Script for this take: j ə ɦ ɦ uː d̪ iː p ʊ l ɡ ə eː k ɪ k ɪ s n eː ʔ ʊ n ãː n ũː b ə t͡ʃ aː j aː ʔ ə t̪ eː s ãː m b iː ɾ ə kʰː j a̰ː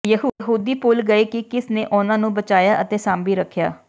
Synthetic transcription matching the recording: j ə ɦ ɦ uː d̪ iː p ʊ l ɡ ə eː k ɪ k ɪ s n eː ʔ ʊ n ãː n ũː b ə t͡ʃ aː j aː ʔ ə t̪ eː s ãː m b iː ɾ ə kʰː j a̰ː

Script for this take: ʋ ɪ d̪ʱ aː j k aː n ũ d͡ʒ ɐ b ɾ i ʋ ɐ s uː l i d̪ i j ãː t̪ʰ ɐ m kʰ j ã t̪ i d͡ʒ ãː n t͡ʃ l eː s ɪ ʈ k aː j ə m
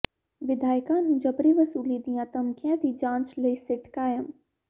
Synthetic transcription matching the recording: ʋ ɪ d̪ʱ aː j k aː n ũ d͡ʒ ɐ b ɾ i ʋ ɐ s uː l i d̪ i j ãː t̪ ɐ m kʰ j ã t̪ i d͡ʒ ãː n t͡ʃ l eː s ɪ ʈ k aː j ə m

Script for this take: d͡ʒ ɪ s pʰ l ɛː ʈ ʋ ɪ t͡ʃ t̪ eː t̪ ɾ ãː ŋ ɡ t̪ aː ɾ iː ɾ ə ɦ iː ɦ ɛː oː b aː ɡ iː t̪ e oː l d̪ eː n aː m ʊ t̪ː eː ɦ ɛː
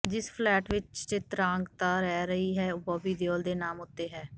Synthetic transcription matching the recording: d͡ʒ ɪ s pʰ l ɛː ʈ ʋ ɪ t͡ʃ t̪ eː t̪ ɾ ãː ŋ ɡ t̪ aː ɾ ɛː ɾ ə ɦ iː ɦ ɛː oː b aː b iː d̪ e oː l d̪ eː n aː m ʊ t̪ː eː ɦ ɛː

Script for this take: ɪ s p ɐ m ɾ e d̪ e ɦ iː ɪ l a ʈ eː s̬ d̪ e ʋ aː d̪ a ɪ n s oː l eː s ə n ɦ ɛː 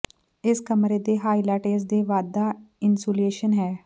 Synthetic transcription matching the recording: ɪ s k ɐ m ɾ e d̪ e ɦ aː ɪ l a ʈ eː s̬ d̪ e ʋ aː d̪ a ɪ n s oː l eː ʃ ə n ɦ ɛː

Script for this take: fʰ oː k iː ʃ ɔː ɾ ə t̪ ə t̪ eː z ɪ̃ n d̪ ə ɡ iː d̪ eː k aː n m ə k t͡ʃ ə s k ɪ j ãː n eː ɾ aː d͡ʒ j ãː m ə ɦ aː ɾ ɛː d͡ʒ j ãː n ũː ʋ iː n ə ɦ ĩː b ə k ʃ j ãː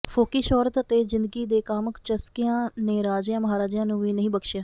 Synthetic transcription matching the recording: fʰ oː k iː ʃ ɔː ɾ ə t̪ ə t̪ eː z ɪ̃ n d̪ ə ɡ iː d̪ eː k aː m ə k t͡ʃ ə s k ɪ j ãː n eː ɾ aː d͡ʒ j ãː m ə ɦ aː ɾ aː d͡ʒ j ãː n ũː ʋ iː n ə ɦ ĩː b ə k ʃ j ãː

